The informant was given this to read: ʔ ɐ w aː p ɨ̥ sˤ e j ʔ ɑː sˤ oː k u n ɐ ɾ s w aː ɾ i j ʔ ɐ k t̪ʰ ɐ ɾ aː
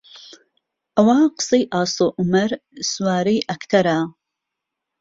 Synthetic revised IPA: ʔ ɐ w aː q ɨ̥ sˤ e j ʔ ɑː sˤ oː ʔ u m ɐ ɾ s w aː ɾ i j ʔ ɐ k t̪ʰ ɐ ɾ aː